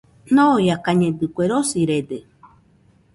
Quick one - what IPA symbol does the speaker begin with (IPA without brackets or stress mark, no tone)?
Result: n